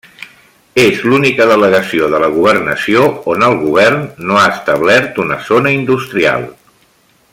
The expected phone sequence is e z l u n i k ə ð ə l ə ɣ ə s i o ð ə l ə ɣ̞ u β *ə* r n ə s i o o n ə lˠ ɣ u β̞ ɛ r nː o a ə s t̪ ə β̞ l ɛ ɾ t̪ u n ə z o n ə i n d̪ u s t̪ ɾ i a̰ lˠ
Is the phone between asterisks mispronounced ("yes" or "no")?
no